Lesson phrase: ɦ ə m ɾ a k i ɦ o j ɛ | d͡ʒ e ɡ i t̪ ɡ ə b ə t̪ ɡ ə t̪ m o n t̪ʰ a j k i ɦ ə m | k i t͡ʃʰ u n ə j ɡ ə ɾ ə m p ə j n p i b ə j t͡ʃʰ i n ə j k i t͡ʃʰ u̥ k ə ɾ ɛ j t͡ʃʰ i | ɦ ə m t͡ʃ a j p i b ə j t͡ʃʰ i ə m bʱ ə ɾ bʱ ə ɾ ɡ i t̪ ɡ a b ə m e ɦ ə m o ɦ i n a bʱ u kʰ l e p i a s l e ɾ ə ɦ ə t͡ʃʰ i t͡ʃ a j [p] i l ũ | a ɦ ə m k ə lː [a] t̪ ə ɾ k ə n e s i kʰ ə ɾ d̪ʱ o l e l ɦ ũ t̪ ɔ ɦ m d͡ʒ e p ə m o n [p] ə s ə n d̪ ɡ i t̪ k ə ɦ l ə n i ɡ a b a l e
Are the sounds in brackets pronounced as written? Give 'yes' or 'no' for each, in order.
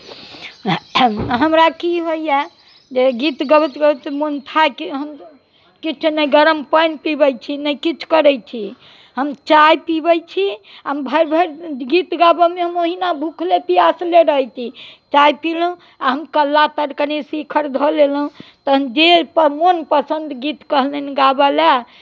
yes, yes, yes

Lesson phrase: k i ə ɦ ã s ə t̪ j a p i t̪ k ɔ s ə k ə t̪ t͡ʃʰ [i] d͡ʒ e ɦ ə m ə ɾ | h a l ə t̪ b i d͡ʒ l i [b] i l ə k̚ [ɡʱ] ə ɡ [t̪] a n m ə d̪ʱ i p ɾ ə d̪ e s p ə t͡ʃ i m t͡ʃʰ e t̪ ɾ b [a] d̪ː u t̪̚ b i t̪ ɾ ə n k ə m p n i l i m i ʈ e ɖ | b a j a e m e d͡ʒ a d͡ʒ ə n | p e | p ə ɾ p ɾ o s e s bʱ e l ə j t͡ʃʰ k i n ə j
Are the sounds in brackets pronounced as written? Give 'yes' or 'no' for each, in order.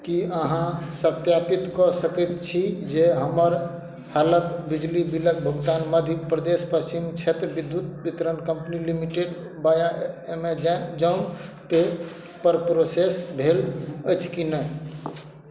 yes, yes, no, yes, no

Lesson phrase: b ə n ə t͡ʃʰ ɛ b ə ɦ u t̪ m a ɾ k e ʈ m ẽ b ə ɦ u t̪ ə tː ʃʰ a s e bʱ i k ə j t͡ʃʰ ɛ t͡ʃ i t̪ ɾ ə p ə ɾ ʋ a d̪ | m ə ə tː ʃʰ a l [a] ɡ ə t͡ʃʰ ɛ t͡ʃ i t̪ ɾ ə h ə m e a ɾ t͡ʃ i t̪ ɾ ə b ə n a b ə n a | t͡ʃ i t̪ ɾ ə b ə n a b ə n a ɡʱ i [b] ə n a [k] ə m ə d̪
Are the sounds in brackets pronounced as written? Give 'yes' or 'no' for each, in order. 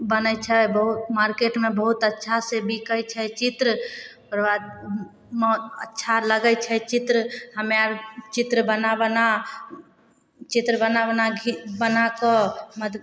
no, yes, yes

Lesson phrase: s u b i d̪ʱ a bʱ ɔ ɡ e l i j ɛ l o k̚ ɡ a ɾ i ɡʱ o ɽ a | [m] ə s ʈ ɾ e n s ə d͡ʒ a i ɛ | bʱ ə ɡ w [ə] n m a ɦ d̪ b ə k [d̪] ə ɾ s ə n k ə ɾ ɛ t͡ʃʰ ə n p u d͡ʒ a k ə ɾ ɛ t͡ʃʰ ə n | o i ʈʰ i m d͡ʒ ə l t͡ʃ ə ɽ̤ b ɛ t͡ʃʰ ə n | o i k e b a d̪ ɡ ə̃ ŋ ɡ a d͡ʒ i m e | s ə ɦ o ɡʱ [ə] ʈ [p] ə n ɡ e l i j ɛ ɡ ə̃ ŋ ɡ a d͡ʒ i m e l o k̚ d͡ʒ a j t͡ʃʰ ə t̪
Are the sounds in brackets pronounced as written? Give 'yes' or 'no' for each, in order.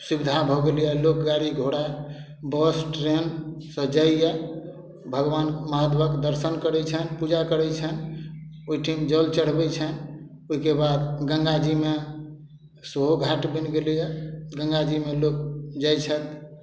no, no, yes, no, no

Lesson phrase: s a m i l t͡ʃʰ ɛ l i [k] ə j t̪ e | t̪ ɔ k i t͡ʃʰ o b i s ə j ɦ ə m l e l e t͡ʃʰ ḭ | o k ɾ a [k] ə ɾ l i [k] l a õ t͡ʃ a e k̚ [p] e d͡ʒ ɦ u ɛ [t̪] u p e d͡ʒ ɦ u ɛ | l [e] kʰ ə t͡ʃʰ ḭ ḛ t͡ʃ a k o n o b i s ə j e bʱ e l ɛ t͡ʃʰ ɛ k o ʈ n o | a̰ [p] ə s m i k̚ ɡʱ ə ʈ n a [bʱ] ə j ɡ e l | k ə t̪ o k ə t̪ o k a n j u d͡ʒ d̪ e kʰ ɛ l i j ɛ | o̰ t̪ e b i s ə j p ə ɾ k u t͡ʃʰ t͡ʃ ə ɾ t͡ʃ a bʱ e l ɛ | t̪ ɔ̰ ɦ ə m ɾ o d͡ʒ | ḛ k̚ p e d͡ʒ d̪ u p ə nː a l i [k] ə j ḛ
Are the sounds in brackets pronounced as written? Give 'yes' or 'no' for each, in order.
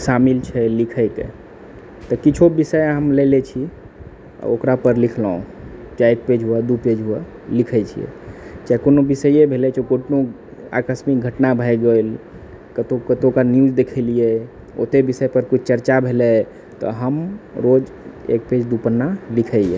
no, no, no, yes, no, no, no, yes, no

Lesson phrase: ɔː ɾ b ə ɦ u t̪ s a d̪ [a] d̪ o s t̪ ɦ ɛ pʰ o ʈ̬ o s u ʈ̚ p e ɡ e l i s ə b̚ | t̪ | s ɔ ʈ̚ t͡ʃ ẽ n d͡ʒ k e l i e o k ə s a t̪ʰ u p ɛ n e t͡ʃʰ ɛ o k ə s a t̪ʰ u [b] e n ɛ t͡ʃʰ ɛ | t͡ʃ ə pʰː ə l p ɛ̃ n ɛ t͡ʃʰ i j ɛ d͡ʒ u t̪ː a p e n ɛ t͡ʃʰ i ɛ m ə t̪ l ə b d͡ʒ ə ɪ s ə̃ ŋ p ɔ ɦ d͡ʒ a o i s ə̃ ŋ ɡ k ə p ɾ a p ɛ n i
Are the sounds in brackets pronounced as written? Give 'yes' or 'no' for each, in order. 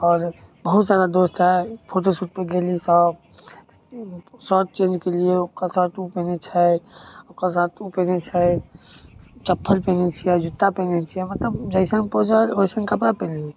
yes, no

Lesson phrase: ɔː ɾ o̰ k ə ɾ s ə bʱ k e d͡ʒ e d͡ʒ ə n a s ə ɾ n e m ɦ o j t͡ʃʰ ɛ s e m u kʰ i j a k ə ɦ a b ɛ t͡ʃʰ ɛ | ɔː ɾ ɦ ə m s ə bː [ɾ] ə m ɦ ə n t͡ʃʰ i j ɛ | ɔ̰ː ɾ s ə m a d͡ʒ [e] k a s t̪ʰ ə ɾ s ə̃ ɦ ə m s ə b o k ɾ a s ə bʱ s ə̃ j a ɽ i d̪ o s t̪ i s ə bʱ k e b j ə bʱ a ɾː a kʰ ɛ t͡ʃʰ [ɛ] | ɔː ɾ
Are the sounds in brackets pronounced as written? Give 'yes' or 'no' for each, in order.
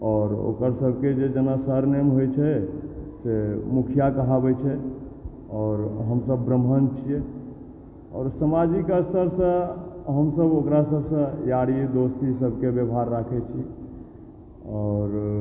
yes, no, no

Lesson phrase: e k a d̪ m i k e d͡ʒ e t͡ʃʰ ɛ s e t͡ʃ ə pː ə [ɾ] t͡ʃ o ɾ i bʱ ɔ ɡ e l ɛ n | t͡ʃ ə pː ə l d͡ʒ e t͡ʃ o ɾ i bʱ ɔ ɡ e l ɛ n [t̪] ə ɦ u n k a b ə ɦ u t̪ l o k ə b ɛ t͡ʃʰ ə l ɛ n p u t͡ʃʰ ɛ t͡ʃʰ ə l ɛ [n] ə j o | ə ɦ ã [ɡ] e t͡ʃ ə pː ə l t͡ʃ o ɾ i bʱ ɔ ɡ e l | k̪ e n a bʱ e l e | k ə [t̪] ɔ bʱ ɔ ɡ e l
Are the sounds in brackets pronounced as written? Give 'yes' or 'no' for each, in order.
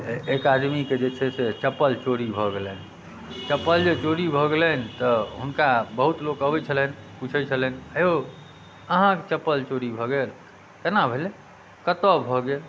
no, yes, yes, no, yes

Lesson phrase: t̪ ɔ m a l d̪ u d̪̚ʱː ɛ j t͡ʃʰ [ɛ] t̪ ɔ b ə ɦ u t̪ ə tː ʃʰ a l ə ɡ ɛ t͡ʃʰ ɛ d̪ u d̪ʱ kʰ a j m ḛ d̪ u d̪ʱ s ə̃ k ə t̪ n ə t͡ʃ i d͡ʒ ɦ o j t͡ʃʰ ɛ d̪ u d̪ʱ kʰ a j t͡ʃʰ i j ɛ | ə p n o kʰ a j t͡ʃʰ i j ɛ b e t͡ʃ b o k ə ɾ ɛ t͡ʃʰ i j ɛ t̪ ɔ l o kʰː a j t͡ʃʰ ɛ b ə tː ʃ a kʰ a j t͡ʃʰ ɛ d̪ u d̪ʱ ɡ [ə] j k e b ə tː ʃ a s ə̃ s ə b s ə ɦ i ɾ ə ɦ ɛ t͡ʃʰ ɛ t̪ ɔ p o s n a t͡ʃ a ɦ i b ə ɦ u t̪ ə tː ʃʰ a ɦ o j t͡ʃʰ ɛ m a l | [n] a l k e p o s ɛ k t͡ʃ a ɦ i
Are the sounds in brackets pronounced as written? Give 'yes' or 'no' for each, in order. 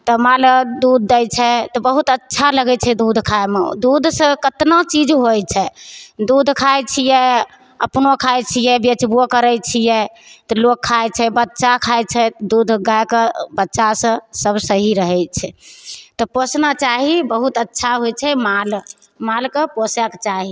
yes, no, no

